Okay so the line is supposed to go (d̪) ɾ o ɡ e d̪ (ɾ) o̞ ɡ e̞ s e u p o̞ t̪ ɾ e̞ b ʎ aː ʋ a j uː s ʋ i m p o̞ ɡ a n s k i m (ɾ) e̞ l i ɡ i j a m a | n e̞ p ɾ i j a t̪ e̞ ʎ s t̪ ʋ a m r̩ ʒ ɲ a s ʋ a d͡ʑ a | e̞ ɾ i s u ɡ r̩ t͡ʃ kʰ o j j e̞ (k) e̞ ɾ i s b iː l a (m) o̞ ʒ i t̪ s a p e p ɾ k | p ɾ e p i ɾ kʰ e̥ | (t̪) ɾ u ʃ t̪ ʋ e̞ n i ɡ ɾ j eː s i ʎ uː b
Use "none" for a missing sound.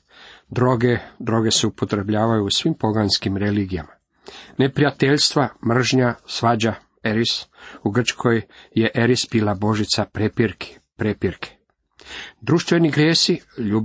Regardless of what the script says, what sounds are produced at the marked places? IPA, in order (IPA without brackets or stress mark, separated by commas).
d̪, ɾ, ɾ, ʔ, b, d̪